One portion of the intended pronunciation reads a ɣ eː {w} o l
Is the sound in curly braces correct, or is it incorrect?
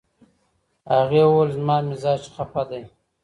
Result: correct